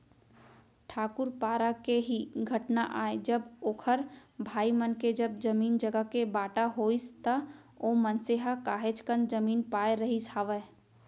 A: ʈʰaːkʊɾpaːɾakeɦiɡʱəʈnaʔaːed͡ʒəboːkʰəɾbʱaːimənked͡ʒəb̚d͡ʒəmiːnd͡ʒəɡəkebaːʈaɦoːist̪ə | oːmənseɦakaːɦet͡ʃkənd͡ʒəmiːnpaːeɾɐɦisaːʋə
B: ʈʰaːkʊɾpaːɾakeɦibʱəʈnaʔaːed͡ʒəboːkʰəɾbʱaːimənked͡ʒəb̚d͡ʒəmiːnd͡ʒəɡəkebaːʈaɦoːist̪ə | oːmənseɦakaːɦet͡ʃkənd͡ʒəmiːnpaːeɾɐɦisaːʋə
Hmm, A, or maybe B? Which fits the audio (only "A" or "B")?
A